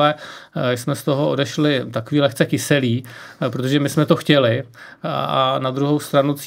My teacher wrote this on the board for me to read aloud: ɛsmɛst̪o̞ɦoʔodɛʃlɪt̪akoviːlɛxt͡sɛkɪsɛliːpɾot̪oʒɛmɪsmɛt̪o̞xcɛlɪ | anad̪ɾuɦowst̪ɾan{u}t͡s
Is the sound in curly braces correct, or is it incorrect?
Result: correct